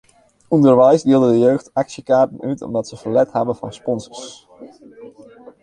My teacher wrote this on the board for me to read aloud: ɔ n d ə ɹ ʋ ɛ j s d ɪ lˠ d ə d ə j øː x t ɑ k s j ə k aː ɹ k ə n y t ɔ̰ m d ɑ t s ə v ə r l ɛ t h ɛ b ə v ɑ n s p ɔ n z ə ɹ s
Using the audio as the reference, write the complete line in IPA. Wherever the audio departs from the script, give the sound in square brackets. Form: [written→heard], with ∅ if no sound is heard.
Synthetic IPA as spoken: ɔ n d ə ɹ ʋ ɛ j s d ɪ lˠ d ə d ə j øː x t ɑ k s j ə k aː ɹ [k→t] ə n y t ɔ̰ m d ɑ t s ə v ə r l ɛ t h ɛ b ə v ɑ n s p ɔ n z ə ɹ s

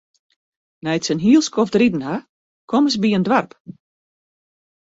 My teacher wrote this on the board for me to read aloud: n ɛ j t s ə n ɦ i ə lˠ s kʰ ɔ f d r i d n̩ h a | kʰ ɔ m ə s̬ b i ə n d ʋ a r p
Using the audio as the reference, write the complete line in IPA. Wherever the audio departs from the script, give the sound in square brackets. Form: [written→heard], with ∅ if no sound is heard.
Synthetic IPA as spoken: n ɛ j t s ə n ɦ i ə lˠ s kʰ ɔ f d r i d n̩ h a | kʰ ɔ m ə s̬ b i ə n d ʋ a r p

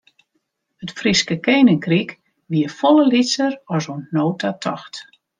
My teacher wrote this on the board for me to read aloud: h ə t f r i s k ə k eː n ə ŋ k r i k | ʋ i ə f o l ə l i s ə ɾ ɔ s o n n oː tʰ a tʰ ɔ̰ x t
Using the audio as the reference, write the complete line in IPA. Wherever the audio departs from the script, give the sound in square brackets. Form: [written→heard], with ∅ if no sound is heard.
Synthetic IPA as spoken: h ə t f r i s k ə k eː n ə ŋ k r i k | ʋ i ə f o l ə l i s ə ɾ ɔ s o n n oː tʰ a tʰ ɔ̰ x t

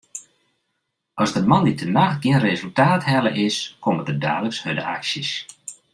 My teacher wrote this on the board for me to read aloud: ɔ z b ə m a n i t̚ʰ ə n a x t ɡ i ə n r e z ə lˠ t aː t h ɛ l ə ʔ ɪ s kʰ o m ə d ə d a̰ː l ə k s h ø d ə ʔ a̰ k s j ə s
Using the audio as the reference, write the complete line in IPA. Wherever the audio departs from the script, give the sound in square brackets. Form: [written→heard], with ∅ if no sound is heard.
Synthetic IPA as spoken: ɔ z [b→d] ə m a n i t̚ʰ ə n a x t ɡ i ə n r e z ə lˠ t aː t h ɛ l ə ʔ ɪ s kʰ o m ə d ə d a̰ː l ə k s h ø d ə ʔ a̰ k s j ə s

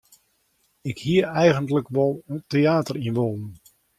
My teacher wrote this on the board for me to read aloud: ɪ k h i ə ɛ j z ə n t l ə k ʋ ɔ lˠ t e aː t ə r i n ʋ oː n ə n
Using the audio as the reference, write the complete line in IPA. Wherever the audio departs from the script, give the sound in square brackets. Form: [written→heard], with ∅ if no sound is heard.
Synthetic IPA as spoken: ɪ k h i ə ɛ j [z→ɣ] ə n t l ə k ʋ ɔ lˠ t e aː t ə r i n ʋ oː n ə n

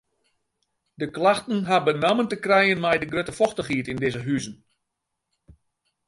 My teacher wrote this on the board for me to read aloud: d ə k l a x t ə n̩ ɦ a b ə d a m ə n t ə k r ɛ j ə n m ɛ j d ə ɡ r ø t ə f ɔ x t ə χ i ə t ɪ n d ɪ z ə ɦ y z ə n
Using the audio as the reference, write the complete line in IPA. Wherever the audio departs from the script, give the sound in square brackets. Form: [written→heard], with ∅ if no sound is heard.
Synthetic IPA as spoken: d ə k l a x t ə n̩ ɦ a b ə [d→n] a m ə n t ə k r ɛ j ə n m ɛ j d ə ɡ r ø t ə f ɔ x t ə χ i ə t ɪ n d ɪ z ə ɦ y z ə n

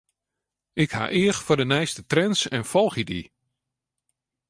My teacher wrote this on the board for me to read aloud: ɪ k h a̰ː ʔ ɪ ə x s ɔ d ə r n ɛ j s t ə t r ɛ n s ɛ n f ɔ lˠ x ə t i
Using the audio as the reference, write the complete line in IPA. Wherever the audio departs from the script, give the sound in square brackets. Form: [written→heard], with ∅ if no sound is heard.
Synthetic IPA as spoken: ɪ k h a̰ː ʔ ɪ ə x [s→f] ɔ d ə [r→∅] n ɛ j s t ə t r ɛ n s ɛ n f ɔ lˠ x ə [t→d] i

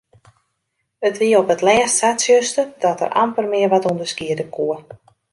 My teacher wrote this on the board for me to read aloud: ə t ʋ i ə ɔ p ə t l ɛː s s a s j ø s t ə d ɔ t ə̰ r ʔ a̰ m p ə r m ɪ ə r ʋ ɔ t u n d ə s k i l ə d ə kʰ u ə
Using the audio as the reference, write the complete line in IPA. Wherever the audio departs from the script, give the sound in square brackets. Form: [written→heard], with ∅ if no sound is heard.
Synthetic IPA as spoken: ə t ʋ i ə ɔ p ə t l ɛː s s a s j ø s t ə d ɔ t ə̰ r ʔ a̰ m p ə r m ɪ ə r ʋ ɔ t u n d ə s k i [l→∅] ə d ə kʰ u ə

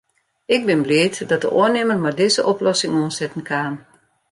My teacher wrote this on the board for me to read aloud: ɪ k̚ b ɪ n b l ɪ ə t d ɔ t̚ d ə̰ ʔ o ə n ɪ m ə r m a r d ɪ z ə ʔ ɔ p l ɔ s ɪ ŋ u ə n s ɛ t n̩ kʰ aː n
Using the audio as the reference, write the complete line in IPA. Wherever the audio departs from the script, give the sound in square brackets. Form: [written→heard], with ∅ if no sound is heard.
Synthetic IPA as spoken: ɪ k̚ b ɪ n b l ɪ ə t d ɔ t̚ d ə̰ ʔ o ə n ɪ m ə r m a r d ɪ z ə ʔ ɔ p l ɔ s ɪ ŋ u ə n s ɛ t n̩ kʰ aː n

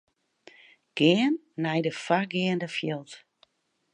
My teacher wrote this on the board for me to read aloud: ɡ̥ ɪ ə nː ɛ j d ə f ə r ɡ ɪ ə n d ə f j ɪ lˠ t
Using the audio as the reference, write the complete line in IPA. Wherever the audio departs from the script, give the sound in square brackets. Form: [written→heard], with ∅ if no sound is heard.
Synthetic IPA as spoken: ɡ̥ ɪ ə nː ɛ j d ə f [ə→a] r ɡ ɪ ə n d ə f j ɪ lˠ t

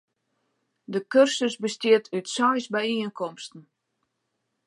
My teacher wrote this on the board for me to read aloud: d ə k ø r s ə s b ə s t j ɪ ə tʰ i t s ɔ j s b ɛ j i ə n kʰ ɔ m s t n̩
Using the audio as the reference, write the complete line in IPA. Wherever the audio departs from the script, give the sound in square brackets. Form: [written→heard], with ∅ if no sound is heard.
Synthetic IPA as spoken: d ə k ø r s ə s b ə s t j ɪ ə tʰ [i→y] t s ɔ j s b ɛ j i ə n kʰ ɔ m s t n̩

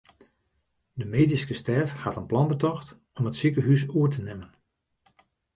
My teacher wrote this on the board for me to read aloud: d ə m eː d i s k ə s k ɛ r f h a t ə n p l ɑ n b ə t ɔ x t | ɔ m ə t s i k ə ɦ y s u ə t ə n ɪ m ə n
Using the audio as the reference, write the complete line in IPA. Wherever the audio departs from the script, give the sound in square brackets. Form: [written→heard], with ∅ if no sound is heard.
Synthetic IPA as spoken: d ə m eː d i s k ə s [k→t] ɛ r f h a t ə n p l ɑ n b ə t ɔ x t | ɔ m ə t s i k ə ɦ y s u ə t ə n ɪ m ə n

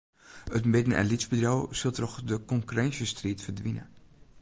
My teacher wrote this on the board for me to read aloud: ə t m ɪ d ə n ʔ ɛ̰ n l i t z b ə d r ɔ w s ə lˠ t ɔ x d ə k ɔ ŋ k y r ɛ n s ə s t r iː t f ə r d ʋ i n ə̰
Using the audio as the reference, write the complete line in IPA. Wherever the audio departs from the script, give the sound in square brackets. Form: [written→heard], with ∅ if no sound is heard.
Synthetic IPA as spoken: ə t m ɪ d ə n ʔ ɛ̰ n l i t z b ə d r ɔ w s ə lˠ t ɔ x d ə k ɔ ŋ k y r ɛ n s ə s t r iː t f ə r d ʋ i n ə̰

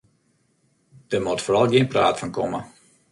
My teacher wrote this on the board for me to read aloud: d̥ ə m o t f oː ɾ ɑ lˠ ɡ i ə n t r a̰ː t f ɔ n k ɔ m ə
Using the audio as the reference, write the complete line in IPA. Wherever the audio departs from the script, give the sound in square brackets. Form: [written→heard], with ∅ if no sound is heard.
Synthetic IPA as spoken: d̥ ə m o t f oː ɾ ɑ lˠ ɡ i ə n [t→p] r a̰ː t f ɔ n k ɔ m ə

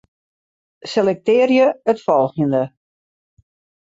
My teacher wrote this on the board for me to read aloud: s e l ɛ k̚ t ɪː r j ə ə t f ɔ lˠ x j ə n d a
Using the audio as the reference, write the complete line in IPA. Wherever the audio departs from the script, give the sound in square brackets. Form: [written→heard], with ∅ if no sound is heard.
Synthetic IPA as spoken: s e l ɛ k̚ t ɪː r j ə ə t f ɔ lˠ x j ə n d [a→ə]

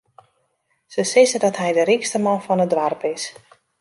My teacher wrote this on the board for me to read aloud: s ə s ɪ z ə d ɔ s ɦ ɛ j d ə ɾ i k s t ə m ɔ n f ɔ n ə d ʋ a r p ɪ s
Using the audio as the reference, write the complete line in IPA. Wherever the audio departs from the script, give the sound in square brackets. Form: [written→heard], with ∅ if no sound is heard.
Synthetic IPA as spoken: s ə s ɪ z ə d ɔ [s→t] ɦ ɛ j d ə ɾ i k s t ə m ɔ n f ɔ n ə d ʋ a r p ɪ s

